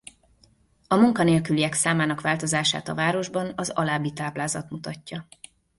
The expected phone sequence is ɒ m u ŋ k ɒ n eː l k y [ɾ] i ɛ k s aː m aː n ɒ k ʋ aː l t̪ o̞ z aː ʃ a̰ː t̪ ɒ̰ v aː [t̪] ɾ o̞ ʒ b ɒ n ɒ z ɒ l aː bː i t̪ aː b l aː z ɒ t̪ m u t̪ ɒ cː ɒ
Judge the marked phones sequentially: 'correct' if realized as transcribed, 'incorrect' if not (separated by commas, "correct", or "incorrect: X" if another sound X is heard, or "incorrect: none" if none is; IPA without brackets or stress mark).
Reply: incorrect: l, incorrect: none